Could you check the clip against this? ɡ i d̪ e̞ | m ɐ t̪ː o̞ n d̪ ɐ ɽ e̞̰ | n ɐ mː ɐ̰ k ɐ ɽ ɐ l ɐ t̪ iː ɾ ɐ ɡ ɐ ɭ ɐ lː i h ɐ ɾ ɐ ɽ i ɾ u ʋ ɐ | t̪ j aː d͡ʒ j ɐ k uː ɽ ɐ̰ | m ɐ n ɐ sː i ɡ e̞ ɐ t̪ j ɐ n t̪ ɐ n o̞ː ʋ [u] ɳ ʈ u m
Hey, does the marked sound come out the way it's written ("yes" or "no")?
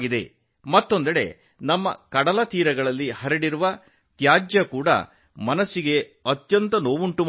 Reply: yes